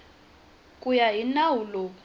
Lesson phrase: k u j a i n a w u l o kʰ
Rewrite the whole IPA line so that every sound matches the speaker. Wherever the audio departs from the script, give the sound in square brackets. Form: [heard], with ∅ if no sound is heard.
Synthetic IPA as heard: [kʼ] u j a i n a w u l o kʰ